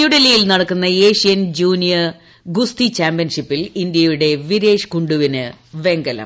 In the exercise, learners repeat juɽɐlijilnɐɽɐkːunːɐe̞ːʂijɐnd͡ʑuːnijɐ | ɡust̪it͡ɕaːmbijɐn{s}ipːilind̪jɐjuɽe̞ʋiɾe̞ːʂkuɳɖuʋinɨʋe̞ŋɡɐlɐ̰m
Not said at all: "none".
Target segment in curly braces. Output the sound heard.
ʂ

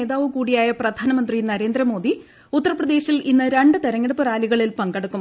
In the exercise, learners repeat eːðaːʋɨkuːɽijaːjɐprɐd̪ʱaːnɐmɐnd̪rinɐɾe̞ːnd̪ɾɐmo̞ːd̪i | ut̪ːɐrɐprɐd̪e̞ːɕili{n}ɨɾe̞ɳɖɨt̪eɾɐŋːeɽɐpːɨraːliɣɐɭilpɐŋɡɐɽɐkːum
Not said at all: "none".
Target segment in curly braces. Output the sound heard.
nː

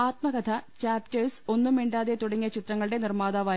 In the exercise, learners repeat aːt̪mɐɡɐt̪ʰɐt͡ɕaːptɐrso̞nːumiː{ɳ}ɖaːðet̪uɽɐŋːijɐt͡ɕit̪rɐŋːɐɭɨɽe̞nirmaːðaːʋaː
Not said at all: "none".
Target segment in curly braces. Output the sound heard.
ɳ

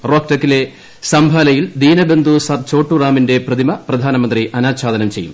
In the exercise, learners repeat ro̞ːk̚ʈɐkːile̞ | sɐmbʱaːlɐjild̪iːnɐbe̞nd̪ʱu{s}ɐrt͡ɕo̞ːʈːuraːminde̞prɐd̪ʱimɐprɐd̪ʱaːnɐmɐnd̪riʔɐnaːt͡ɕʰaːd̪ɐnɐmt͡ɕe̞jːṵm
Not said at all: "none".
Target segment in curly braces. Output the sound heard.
s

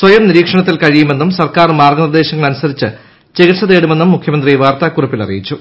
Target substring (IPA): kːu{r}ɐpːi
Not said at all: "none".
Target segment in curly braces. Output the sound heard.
r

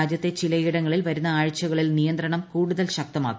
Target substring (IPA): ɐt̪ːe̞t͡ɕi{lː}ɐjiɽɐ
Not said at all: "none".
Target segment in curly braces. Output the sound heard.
l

